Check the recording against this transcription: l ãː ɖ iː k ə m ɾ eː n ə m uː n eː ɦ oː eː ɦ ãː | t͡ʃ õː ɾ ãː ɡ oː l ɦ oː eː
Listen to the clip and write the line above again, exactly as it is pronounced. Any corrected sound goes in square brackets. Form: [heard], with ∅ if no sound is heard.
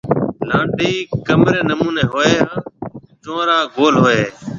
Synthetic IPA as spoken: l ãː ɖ iː k ə m ɾ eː n ə m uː n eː ɦ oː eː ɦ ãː | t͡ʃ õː ɾ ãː ɡ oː l ɦ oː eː